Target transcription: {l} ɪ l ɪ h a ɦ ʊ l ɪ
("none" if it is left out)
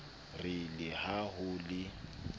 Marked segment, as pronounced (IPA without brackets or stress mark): r